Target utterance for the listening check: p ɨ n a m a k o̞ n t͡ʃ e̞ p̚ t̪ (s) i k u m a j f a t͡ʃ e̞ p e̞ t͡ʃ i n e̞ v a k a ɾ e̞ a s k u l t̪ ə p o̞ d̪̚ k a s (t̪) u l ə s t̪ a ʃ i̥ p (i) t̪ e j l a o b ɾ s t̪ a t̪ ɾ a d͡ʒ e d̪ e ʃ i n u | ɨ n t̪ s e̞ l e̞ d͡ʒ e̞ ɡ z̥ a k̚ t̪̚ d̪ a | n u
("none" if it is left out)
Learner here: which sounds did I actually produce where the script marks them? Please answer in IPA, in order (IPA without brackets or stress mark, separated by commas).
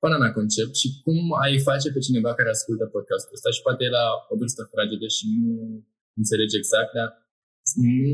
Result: ʃ, t̪, a